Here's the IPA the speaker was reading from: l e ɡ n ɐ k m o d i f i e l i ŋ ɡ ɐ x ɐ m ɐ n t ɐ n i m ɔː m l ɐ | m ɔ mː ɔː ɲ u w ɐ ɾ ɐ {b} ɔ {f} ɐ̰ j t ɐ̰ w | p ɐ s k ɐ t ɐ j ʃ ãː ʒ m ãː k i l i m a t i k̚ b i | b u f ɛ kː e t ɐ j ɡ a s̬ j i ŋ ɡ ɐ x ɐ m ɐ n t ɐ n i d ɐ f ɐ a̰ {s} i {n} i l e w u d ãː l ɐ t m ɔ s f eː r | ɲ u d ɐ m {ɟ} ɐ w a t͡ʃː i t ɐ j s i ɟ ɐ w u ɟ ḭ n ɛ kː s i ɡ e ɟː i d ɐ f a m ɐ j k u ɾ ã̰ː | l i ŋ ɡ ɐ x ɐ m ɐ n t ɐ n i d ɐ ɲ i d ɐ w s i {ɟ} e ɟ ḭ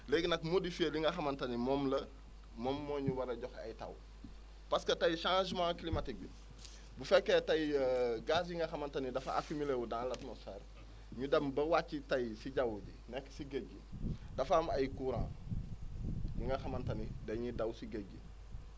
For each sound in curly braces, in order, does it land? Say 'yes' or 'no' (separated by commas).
no, no, no, no, no, no